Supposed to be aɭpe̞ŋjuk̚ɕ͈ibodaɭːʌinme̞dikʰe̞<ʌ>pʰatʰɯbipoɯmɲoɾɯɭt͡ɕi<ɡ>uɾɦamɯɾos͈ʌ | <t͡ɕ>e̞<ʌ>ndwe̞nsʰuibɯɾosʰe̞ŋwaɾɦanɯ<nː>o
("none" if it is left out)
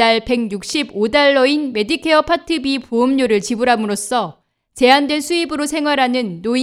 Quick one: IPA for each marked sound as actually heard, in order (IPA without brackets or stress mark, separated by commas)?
ʌ, b, t͡ɕ, a, nː